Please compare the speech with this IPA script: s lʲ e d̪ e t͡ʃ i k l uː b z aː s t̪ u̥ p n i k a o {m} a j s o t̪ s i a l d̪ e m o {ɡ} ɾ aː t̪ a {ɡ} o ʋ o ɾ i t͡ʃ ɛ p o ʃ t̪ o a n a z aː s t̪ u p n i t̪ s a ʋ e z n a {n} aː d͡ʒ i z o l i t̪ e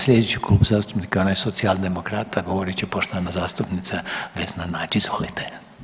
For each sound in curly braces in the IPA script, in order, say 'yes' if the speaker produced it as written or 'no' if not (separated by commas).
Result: no, no, yes, yes